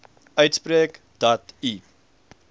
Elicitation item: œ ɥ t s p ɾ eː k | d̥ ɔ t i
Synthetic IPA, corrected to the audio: œ ɥ t s p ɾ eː k | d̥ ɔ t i